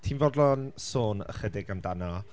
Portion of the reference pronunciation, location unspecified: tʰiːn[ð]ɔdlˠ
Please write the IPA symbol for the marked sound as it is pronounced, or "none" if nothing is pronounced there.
v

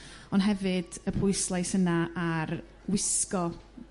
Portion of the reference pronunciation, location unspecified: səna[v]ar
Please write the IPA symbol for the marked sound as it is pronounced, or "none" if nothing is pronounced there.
none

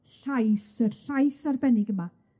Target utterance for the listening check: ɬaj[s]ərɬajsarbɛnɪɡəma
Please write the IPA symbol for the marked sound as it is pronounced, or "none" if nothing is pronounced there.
s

